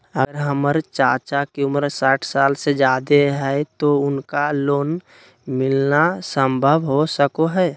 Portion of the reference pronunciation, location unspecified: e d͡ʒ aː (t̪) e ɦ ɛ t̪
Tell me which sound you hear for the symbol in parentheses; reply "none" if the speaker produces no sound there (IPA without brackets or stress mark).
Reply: d̪